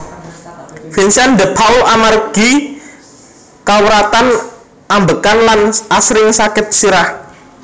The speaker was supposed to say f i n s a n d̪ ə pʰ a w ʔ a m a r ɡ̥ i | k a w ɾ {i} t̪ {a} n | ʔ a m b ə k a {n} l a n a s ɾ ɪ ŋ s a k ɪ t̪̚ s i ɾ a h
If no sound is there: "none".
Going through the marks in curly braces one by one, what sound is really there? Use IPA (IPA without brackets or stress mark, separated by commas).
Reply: a, a, n